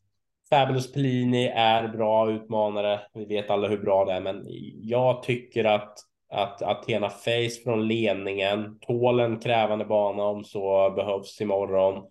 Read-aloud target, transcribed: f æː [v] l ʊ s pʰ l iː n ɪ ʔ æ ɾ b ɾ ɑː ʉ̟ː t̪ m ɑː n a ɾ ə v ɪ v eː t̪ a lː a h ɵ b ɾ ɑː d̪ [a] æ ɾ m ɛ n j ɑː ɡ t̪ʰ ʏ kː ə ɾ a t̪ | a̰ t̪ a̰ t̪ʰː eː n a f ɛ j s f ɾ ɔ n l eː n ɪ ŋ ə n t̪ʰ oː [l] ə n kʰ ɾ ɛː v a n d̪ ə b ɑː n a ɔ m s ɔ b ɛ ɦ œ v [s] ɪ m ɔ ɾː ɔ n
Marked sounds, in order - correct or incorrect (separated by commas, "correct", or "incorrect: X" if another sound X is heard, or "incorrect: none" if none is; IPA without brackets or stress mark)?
incorrect: b, incorrect: ɛ, correct, correct